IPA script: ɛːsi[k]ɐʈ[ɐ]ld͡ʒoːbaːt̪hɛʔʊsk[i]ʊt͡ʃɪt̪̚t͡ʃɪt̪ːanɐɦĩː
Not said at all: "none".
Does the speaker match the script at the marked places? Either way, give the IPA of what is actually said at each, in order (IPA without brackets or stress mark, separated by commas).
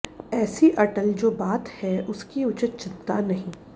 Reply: ʔ, ə, i